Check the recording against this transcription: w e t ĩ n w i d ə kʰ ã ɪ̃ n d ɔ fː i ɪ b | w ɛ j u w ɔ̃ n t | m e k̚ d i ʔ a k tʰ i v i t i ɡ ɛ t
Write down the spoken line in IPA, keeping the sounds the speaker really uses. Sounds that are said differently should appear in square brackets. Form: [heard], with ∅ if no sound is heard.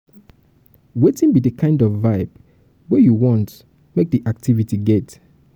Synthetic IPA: w e t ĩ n [b] i d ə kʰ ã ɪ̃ n d ɔ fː [a] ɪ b | w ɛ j u w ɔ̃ n t | m e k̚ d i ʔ a k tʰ i v i t i ɡ ɛ t